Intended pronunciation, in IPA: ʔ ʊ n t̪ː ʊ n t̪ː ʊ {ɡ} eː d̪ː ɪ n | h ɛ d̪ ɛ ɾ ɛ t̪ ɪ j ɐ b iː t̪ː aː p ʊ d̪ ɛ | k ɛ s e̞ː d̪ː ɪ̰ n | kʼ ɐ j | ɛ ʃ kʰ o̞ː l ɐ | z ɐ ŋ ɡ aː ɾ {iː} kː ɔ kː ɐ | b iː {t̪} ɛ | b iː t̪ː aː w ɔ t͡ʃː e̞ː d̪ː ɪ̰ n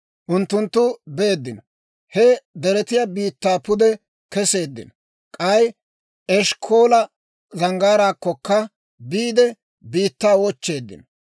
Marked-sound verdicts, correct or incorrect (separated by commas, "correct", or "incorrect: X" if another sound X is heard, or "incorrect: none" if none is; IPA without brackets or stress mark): incorrect: b, incorrect: aː, incorrect: d̪